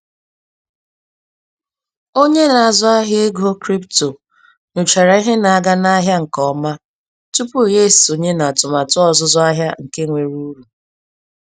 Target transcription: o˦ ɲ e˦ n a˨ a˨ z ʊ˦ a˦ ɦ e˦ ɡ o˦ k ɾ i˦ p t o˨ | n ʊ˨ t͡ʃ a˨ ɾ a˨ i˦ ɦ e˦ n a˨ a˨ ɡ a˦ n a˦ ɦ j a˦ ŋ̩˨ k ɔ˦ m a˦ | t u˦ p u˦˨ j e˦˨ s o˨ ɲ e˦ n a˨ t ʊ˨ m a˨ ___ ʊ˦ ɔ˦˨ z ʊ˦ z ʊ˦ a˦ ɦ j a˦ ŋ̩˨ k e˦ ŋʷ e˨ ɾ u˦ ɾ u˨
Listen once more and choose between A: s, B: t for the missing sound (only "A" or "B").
B